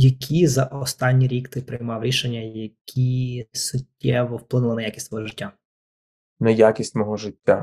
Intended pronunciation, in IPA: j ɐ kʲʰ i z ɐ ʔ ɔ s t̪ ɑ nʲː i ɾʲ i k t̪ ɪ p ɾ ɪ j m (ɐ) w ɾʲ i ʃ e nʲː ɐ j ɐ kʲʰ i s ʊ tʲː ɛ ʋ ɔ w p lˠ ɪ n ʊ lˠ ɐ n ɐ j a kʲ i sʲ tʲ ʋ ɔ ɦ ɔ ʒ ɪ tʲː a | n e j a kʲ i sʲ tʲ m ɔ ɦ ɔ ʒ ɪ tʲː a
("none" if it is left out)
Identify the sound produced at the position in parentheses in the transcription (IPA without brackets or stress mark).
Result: ɑ